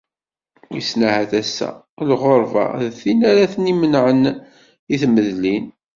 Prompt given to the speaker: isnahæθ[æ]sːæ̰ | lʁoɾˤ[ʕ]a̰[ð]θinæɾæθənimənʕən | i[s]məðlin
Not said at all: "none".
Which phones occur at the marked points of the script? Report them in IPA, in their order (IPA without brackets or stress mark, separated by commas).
æ, v, ð, θ